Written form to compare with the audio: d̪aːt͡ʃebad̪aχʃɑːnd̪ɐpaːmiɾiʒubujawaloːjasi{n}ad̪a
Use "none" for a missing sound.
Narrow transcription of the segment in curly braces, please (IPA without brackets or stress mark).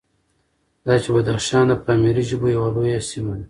m